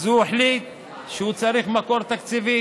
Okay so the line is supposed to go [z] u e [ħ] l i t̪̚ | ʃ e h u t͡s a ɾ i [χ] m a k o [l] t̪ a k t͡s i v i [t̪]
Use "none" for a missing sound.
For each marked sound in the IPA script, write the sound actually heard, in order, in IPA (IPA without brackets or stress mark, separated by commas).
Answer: z, ħ, χ, ɾ, none